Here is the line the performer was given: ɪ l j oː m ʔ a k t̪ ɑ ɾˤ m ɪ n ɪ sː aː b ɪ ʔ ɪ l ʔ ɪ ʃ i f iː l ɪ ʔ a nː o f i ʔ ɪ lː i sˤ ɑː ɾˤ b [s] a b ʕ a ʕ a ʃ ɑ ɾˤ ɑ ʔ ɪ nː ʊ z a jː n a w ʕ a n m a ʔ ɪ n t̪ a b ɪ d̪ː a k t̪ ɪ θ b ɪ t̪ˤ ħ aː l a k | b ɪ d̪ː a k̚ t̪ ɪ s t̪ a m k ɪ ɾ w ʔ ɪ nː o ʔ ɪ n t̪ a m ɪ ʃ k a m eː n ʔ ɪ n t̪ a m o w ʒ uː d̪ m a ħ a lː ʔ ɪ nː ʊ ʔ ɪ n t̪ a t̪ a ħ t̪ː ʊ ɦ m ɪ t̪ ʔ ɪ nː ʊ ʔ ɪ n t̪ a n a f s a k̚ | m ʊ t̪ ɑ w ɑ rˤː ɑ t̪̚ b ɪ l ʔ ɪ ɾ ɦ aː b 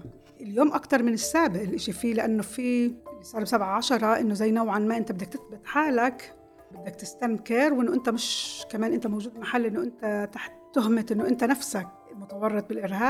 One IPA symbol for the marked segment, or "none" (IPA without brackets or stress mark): s